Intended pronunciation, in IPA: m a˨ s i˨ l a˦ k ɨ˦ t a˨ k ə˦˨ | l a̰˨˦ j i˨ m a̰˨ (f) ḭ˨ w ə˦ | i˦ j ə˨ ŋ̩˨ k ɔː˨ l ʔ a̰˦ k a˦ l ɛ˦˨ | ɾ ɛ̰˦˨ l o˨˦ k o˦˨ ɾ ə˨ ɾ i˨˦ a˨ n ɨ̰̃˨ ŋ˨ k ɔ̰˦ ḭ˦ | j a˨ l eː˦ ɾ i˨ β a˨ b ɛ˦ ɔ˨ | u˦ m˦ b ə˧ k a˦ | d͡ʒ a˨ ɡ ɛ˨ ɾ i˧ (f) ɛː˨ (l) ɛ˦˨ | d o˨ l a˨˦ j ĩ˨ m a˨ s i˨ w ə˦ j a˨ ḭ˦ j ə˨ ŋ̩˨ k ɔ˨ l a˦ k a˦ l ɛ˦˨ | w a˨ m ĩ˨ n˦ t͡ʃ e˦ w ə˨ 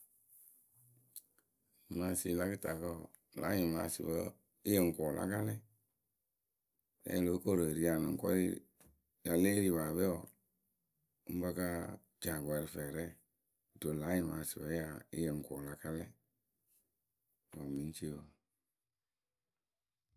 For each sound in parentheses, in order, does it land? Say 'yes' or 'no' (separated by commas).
no, yes, no